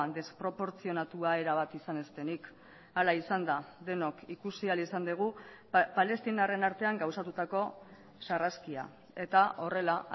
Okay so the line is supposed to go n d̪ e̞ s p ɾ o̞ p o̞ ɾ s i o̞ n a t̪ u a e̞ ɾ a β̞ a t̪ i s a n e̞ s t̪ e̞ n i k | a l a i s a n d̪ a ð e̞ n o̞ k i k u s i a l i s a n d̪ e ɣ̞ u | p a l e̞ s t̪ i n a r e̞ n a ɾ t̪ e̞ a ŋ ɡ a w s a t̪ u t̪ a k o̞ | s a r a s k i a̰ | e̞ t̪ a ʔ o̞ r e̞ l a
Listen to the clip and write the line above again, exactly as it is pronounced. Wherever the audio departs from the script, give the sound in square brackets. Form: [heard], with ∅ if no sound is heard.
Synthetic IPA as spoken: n d̪ e̞ s p ɾ o̞ p o̞ ɾ [t͡s] i o̞ n a t̪ u a e̞ ɾ a β̞ a t̪ i s a n e̞ s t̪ e̞ n i k | a l a i s a n d̪ a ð e̞ n o̞ k i k u s i a l i s a n d̪ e ɣ̞ u | p a l e̞ s t̪ i n a r e̞ n a ɾ t̪ e̞ a ŋ ɡ a w s a t̪ u t̪ a k o̞ | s a r a s k i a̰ | e̞ t̪ a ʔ o̞ r e̞ l a